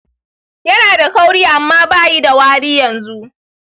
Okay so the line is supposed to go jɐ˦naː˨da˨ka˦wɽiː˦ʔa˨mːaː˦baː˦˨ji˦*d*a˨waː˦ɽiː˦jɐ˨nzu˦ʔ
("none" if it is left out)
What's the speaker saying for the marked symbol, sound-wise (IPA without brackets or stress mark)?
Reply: d